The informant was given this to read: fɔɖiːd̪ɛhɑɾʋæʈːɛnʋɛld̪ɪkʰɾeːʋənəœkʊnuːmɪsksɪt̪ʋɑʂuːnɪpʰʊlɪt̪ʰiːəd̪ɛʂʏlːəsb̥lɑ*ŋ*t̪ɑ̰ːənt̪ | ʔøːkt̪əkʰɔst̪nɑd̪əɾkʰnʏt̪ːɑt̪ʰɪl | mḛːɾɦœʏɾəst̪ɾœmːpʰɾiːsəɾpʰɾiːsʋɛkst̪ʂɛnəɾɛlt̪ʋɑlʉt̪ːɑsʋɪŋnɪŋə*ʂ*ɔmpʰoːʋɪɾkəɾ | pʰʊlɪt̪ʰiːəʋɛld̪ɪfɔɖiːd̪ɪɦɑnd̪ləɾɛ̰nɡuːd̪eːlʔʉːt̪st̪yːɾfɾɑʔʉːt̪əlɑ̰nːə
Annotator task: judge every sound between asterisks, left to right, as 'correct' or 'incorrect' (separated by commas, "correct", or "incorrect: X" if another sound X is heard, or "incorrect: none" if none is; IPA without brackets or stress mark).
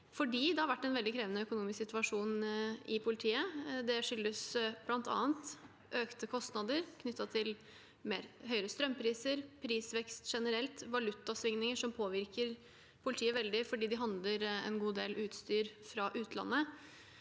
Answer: incorrect: n, correct